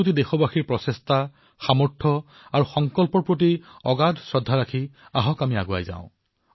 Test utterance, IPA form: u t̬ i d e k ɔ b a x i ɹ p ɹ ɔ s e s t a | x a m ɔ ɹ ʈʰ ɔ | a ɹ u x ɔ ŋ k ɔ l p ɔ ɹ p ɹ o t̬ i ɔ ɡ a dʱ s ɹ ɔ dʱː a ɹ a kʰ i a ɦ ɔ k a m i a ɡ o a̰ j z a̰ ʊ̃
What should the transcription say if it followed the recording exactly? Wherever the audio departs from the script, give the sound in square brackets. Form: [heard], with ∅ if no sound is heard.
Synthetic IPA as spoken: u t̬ i d e [x] ɔ b a x i ɹ p ɹ ɔ s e s t a | x a m ɔ ɹ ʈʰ ɔ | a ɹ u x ɔ ŋ k ɔ l p ɔ ɹ p ɹ o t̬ i ɔ ɡ a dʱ s ɹ ɔ dʱː a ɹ a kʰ i a ɦ ɔ k a m i a ɡ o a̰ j z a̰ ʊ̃

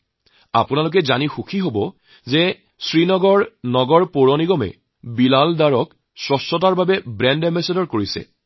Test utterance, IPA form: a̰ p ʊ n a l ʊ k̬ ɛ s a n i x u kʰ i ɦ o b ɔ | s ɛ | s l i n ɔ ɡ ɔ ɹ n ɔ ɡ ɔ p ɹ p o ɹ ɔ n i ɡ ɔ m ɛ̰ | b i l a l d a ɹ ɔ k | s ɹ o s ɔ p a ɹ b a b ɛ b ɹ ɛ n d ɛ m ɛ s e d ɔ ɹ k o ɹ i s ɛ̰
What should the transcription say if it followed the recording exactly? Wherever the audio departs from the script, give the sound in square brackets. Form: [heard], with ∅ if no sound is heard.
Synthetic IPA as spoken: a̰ p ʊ n a l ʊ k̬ ɛ [z] a n i x u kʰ i ɦ o b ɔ | [z] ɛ | s [ɹ] i n ɔ ɡ ɔ ɹ n ɔ ɡ ɔ [∅] ɹ p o ɹ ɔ n i ɡ ɔ m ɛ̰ | b i l a l d a ɹ ɔ k | s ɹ [ɔ] s ɔ [t] a ɹ b a b ɛ b ɹ ɛ n d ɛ m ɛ s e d ɔ ɹ k o ɹ i s ɛ̰

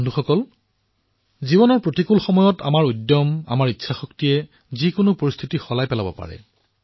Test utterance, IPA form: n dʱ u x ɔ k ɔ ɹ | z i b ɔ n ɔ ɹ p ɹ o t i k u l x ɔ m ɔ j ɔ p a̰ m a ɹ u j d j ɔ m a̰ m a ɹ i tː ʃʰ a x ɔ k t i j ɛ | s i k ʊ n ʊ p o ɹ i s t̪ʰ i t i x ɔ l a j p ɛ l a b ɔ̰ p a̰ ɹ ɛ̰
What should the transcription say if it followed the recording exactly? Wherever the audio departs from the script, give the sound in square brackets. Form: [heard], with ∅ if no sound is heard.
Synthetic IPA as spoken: n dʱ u x ɔ k ɔ [l] | z i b ɔ n ɔ ɹ p ɹ o t i k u l x ɔ m ɔ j ɔ [t] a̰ m a ɹ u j d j ɔ m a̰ m a ɹ i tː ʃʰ a x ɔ k t i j ɛ | [z] i k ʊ n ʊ p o ɹ i s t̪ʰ i t i x ɔ l a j p ɛ l a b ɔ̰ p a̰ ɹ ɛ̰

